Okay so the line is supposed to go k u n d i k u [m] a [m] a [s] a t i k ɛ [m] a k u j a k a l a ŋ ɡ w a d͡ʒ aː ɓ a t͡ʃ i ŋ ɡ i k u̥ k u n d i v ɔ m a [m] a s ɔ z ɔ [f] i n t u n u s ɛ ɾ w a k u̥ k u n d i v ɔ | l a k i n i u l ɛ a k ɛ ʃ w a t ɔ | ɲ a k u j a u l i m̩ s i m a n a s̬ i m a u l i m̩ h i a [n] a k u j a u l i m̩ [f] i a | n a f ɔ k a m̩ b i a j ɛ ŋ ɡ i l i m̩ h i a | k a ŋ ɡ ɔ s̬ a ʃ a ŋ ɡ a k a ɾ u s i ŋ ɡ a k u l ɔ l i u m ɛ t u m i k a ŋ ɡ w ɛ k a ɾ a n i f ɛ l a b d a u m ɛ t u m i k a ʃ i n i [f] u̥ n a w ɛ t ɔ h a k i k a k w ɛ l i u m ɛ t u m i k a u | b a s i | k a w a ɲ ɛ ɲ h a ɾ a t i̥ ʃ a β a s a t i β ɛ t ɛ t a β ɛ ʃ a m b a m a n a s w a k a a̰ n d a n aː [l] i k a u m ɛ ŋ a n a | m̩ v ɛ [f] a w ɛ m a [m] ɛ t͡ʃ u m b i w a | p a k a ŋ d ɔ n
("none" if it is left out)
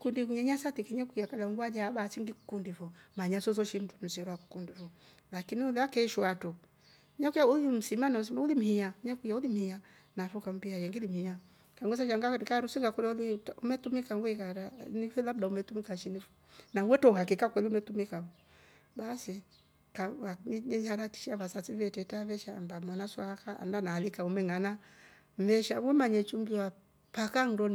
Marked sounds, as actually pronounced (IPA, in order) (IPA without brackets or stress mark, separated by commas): ɲ, ɲ, s, ɲ, ɲ, ʃ, ɲ, h, f, l, ʃ, ɲ